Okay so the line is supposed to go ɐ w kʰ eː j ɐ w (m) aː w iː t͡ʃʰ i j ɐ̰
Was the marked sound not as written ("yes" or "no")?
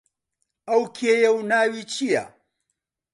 yes